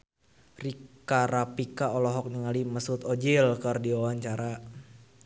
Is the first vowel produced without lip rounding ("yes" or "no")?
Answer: yes